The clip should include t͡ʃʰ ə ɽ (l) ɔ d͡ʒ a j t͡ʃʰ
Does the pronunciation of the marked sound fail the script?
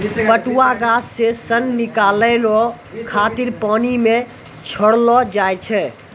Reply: no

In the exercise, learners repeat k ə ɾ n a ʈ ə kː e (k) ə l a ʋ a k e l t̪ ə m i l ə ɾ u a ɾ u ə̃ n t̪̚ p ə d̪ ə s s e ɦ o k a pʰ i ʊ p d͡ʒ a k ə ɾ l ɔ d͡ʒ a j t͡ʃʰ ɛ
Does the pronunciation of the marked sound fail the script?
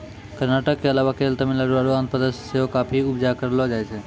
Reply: yes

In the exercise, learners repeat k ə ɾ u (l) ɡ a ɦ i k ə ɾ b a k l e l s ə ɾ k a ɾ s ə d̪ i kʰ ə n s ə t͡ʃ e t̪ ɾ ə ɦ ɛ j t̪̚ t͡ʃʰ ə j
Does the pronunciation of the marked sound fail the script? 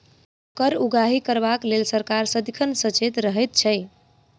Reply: yes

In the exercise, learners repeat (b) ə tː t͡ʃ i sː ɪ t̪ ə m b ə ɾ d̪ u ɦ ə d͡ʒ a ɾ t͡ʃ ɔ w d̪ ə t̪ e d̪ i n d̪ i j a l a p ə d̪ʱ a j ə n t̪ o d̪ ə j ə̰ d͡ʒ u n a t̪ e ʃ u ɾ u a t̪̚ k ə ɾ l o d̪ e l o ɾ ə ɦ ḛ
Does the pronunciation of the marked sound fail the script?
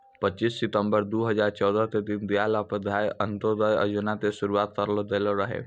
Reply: yes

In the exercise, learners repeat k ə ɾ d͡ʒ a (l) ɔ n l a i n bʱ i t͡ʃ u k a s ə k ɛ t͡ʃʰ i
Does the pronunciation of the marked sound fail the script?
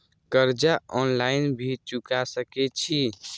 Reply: yes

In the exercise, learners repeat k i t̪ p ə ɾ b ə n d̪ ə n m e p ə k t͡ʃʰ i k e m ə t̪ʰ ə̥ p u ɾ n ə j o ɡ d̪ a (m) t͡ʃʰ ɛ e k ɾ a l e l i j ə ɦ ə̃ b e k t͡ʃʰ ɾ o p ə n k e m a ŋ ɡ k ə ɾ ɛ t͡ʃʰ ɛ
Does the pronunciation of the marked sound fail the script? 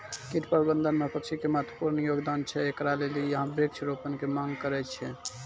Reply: yes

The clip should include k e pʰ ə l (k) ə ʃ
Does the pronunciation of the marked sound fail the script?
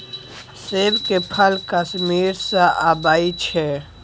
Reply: no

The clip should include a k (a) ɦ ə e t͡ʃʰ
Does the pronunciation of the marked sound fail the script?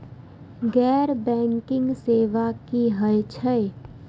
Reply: yes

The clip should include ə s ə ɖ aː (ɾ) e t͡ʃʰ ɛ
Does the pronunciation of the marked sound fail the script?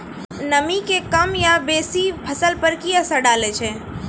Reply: yes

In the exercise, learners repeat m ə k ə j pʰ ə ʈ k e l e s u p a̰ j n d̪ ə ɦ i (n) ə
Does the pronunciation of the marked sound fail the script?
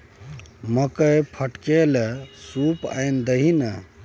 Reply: no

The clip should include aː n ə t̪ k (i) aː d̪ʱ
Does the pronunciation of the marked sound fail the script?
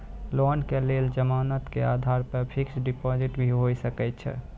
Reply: yes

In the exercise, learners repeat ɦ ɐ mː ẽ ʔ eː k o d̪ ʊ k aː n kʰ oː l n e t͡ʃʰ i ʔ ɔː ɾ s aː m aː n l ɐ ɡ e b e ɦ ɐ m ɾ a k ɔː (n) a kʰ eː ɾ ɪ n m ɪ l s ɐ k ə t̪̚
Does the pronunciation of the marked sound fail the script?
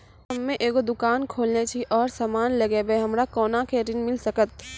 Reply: no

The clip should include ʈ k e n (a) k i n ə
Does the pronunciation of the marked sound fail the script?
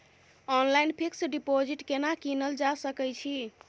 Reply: no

